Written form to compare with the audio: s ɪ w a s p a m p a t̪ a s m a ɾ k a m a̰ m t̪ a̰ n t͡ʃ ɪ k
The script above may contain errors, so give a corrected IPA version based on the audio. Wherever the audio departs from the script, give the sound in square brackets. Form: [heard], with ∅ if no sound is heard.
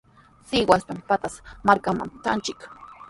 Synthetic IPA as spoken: s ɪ w a s p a m p a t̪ a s m a ɾ k a m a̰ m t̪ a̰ n t͡ʃ ɪ k